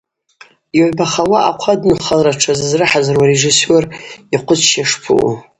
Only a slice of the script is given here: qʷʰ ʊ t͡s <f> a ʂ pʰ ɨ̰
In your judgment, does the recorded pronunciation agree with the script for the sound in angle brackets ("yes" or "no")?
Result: no